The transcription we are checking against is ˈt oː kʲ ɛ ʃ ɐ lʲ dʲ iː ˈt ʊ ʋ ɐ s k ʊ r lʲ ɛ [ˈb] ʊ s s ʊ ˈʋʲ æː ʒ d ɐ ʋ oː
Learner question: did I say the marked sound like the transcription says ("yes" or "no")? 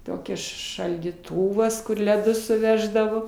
no